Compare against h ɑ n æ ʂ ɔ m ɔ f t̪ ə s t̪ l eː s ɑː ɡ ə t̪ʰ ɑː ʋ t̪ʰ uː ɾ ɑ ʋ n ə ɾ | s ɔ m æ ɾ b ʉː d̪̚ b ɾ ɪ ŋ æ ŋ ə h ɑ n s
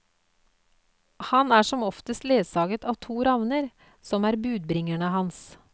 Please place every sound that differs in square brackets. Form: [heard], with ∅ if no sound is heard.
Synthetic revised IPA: h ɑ n [æː] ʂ ɔ m ɔ f t̪ ə s t̪ l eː s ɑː ɡ ə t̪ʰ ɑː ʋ t̪ʰ uː ɾ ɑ ʋ n ə ɾ | s ɔ m [æː] ɾ b ʉː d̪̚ b ɾ ɪ ŋ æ [ɳ] ə h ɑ n s

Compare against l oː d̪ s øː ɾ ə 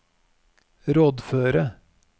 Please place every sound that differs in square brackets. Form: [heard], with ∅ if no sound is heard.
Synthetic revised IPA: [ɾ] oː d̪ [f] øː ɾ ə

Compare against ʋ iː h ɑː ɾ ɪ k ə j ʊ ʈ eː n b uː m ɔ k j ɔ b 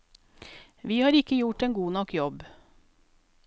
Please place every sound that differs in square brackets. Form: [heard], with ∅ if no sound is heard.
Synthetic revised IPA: ʋ iː h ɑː ɾ ɪ k ə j ʊ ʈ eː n [ɡ] uː [n] ɔ k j ɔ b

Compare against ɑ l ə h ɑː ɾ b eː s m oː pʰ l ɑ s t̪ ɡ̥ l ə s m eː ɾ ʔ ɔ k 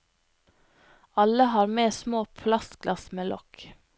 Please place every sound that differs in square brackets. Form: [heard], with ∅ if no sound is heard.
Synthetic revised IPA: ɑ l ə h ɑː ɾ [m] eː s m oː pʰ l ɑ s t̪ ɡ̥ l [ɑ] s m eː [l] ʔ ɔ k

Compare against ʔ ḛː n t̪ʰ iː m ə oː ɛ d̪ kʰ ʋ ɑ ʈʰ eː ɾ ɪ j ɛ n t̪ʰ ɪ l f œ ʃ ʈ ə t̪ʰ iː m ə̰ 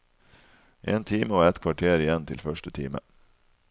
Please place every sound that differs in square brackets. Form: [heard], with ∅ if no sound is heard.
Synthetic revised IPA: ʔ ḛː n t̪ʰ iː m ə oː ɛ [t̪] kʰ ʋ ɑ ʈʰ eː ɾ ɪ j ɛ n t̪ʰ ɪ l f œ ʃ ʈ ə t̪ʰ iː m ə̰

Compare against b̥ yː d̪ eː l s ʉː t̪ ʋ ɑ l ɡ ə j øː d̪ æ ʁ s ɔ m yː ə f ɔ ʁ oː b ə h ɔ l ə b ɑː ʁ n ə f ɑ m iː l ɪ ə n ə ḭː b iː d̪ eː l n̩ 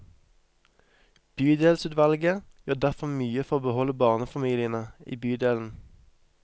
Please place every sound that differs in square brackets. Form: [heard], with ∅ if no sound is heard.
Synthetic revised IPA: b̥ yː d̪ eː l s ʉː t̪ ʋ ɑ l ɡ ə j øː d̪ æ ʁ [f] ɔ m yː ə f ɔ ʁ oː b ə h ɔ l ə b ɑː ʁ n ə f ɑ m iː l ɪ ə n ə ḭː b [yː] d̪ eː l n̩

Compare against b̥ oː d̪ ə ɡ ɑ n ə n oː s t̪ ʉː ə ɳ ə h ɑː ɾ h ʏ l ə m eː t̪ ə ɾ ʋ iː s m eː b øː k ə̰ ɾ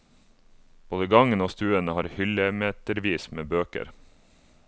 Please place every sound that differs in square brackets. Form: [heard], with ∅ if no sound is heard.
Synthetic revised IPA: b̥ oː d̪ ə ɡ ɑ [ŋ] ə n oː s t̪ ʉː ə [n] ə h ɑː ɾ h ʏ l ə m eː t̪ ə ɾ ʋ iː s m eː b øː k ə̰ ɾ

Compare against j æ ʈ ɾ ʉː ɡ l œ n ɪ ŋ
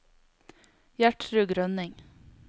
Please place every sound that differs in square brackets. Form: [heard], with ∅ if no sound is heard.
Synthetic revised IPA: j æ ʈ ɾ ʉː ɡ [ɾ] œ n ɪ ŋ

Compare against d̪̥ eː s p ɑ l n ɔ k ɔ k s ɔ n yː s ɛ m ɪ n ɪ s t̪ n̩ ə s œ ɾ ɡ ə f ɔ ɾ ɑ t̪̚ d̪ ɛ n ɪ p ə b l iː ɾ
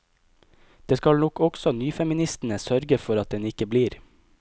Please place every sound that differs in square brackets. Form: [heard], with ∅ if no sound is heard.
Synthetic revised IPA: d̪̥ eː s [k] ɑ l n ɔ k ɔ k s ɔ n yː [f] ɛ m ɪ n ɪ s t̪ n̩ ə s œ ɾ ɡ ə f ɔ ɾ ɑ t̪̚ d̪ ɛ n ɪ [k] ə b l iː ɾ

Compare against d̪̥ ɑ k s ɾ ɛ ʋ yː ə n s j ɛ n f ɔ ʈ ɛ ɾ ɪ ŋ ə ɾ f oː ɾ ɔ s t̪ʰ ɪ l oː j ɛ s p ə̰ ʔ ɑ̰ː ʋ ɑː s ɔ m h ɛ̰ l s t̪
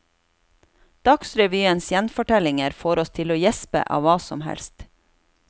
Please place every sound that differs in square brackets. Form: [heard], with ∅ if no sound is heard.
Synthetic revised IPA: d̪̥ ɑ k s ɾ ɛ ʋ yː ə n s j ɛ n f ɔ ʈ ɛ [l] ɪ ŋ ə ɾ f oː ɾ ɔ s t̪ʰ ɪ l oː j ɛ s p ə̰ ʔ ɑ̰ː ʋ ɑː s ɔ m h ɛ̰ l s t̪

